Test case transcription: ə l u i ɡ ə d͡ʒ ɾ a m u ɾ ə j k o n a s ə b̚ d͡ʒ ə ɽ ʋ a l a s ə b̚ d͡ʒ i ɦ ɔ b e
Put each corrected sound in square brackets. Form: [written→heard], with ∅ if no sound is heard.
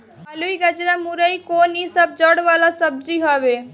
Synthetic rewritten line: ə l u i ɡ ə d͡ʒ ɾ a m u ɾ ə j k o n [a→i] s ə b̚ d͡ʒ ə ɽ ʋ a l a s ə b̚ d͡ʒ i ɦ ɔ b e

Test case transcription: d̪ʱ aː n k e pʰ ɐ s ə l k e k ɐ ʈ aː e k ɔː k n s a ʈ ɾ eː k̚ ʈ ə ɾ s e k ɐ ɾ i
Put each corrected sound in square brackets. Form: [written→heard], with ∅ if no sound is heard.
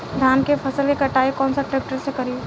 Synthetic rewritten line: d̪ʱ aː n k e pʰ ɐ s ə l k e k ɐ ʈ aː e k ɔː [k→∅] n s a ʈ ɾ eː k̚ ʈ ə ɾ s e k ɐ ɾ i

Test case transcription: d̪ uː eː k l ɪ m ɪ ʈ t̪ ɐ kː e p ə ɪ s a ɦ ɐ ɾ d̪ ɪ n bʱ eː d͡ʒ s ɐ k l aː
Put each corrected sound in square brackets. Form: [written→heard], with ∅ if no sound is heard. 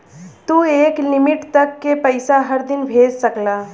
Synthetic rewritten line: [d̪→t̪] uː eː k l ɪ m ɪ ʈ t̪ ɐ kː e p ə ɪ s a ɦ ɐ ɾ d̪ ɪ n bʱ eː d͡ʒ s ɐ k l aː

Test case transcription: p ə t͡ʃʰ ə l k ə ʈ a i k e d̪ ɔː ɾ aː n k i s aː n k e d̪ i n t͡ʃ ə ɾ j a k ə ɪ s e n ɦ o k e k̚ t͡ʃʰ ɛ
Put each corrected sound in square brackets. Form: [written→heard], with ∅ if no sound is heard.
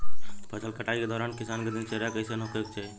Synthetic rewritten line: p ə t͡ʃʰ ə l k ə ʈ a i k e d̪ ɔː ɾ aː n k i s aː n k e d̪ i n t͡ʃ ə ɾ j a k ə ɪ s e n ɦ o k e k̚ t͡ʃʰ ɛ

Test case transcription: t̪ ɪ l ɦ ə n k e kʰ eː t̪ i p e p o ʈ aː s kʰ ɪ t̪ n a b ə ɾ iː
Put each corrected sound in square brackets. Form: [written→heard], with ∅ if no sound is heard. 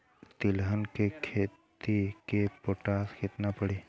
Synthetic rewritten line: t̪ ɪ l ɦ ə n k e kʰ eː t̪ i [p→k] e p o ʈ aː s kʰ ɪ t̪ n a [b→p] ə [ɾ→ɽ] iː

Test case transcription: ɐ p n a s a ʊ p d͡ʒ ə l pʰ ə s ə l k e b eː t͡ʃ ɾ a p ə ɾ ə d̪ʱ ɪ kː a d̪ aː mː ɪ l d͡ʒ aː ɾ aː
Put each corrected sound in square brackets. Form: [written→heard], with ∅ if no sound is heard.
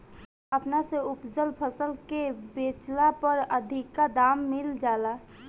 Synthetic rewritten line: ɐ p n a s [a→e] ʊ p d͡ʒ ə l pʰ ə s ə l k e b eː t͡ʃ [ɾ→l] a p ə ɾ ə d̪ʱ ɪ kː a d̪ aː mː ɪ l d͡ʒ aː [ɾ→l] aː

